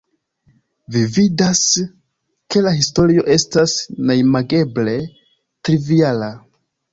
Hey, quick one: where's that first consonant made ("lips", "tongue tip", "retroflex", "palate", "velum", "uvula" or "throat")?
lips